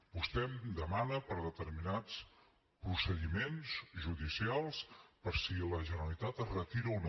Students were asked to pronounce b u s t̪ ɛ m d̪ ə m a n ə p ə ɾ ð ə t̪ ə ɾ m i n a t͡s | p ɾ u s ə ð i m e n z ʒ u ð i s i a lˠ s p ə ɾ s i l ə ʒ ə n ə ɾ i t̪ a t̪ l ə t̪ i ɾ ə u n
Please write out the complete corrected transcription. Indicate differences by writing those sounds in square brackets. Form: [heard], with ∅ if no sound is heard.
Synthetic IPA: b u s t̪ ɛ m d̪ ə m a n ə p ə ɾ ð ə t̪ ə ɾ m i n a t͡s | p ɾ u s ə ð i m e n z ʒ u ð i s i a lˠ s p ə ɾ s i l ə ʒ ə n ə [l] i t̪ a t̪ [r] ə t̪ i ɾ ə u n